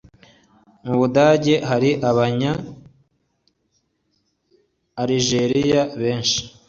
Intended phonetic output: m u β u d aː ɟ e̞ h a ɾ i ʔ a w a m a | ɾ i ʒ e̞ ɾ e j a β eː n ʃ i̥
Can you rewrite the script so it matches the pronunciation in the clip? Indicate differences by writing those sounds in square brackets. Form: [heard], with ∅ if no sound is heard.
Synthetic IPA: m u β u d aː ɟ e̞ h a ɾ i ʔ a [β] a [ɲ] a | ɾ i ʒ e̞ ɾ [i] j a β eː n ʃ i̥